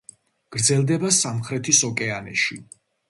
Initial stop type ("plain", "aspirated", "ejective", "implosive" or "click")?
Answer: plain